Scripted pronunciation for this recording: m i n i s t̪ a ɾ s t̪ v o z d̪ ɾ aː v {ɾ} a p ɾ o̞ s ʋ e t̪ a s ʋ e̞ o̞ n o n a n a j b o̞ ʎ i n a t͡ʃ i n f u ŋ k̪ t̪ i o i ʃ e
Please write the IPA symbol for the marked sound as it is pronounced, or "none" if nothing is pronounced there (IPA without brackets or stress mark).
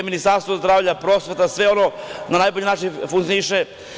ʎ